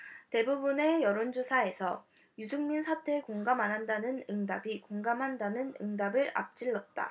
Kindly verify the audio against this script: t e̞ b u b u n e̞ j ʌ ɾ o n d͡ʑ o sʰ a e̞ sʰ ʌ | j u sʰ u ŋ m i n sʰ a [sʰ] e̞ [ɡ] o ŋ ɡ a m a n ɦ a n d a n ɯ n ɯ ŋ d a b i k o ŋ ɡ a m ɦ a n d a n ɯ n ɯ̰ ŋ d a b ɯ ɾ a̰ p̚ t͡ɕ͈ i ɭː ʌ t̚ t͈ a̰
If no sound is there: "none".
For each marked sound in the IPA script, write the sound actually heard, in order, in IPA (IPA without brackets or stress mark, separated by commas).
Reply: tʰ, k